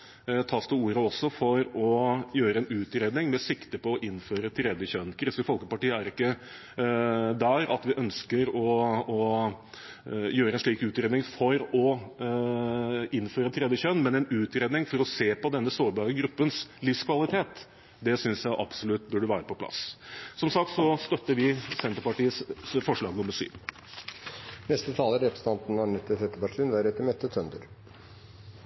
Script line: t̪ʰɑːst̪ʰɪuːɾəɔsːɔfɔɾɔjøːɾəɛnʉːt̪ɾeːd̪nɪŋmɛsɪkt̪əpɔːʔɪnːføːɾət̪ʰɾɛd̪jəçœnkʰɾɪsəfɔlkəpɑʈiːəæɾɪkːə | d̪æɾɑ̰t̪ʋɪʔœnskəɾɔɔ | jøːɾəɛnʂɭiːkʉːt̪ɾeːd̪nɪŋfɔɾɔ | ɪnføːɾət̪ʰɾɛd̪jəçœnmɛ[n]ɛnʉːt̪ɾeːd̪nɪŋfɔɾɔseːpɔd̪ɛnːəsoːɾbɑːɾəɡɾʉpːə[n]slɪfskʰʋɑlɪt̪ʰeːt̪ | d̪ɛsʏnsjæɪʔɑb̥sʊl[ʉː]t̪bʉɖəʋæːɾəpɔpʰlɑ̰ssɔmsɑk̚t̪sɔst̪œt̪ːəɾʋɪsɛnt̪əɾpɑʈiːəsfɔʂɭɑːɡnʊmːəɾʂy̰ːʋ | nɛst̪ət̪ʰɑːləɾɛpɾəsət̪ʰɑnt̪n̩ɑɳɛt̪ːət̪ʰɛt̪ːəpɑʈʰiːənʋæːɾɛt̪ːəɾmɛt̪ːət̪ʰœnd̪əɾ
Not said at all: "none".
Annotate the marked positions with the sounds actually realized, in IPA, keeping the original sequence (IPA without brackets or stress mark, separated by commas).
n, n, ʉ